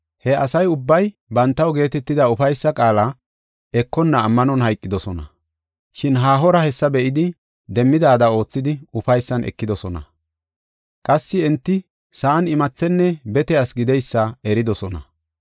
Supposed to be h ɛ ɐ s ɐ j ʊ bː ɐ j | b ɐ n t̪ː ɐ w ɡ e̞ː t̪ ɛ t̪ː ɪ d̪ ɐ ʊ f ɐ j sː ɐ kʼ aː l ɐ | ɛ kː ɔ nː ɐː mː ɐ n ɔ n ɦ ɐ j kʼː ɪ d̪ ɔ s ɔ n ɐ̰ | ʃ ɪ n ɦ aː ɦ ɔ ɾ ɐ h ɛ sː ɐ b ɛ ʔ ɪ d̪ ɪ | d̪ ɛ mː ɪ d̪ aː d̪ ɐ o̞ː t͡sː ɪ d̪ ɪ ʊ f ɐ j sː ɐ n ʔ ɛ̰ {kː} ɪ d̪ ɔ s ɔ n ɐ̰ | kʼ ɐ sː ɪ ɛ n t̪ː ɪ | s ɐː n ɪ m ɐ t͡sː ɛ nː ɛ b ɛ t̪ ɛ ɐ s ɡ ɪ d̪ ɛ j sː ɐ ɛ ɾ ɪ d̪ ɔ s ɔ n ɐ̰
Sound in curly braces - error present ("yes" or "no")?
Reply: no